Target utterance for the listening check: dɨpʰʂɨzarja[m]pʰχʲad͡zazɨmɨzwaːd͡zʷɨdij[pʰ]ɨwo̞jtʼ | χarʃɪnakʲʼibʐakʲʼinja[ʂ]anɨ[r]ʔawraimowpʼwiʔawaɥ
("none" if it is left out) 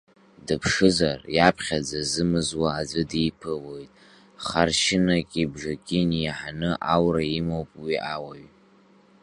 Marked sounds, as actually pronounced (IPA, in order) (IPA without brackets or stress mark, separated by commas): none, pʰ, ħ, none